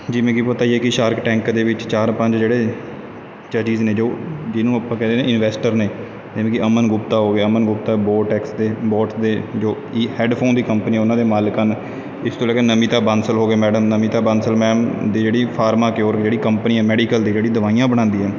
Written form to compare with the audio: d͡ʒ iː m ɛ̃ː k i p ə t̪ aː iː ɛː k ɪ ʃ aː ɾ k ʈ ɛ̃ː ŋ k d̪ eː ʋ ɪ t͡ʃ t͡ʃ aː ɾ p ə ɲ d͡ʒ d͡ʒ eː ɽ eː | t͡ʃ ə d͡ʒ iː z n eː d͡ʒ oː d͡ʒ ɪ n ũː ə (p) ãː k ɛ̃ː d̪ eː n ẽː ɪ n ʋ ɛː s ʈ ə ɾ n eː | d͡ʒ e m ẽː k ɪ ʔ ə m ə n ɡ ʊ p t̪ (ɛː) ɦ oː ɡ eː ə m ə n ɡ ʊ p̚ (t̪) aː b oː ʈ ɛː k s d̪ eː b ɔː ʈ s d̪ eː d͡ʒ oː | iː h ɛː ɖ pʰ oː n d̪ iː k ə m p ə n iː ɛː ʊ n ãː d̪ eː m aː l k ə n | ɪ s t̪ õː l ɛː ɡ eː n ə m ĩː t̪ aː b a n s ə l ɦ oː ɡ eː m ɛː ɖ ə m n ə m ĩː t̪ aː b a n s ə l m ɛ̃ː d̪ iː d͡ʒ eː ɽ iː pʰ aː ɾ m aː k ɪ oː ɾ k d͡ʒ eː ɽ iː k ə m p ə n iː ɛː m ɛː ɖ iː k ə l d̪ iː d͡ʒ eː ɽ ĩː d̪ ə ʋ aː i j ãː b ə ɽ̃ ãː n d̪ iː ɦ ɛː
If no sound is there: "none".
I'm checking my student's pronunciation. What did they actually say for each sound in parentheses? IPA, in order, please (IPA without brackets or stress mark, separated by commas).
p, aː, t̪